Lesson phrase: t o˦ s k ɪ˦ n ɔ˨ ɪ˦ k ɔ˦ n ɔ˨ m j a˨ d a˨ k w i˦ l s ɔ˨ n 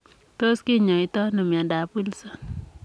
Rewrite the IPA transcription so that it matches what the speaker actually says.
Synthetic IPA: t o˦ s k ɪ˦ ɲ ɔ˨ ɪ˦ t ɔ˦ n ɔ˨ m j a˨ d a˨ p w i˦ l s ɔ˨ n